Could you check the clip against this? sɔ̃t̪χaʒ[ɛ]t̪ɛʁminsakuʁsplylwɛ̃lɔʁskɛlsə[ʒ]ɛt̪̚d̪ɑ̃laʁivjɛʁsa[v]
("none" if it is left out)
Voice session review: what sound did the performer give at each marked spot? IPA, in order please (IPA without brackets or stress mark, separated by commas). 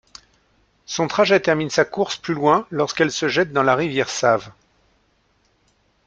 ɛ, ʒ, v